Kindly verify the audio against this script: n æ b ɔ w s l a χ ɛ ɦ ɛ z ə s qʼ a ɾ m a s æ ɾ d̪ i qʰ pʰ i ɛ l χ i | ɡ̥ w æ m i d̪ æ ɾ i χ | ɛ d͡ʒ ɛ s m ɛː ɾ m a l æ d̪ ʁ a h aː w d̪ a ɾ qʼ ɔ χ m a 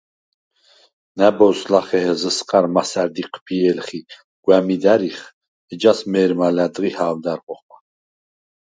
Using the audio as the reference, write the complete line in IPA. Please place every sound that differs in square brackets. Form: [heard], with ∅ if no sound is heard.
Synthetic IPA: n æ b ɔ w s l a χ ɛ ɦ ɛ z ə s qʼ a ɾ m a s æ ɾ d̪ i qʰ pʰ i ɛ l χ i | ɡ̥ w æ m i d̪ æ ɾ i χ | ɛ d͡ʒ [a] s m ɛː ɾ m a l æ d̪ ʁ [i] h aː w d̪ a ɾ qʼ ɔ χ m a